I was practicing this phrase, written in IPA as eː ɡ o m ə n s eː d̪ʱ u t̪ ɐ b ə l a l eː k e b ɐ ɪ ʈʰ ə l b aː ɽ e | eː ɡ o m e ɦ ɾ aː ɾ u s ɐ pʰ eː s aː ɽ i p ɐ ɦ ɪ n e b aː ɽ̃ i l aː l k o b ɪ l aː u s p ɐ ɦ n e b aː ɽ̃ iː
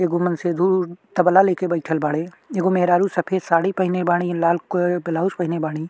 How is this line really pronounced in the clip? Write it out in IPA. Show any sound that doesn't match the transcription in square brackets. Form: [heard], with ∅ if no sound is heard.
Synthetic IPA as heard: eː ɡ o m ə n s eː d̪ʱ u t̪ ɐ b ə l a l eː k e b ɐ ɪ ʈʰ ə l b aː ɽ e | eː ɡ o m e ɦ ɾ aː ɾ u s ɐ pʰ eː s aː ɽ i p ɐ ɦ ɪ n e b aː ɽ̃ i l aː l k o b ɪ l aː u s p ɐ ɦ n e b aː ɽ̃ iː